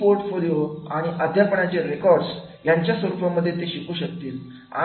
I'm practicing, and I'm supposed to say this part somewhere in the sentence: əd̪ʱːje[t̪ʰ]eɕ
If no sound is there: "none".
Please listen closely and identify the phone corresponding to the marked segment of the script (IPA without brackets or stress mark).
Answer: t̪